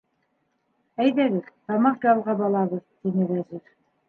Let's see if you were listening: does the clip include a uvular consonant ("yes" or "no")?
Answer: yes